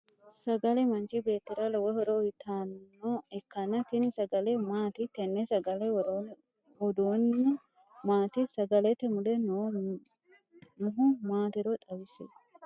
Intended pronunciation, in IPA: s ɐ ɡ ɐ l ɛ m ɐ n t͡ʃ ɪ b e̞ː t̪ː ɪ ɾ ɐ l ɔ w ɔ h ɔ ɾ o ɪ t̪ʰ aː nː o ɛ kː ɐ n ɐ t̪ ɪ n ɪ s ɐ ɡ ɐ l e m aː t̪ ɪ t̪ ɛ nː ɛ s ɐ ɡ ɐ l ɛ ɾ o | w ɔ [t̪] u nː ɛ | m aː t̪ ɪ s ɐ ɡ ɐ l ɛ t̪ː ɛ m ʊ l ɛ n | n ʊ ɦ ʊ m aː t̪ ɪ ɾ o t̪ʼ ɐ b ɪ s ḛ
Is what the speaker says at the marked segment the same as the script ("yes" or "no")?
no